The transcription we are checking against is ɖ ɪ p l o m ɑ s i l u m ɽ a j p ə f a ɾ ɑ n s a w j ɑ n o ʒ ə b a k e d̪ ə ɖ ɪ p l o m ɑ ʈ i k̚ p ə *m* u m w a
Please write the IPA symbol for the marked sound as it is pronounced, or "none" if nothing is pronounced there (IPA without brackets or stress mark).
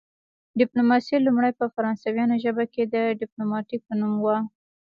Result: n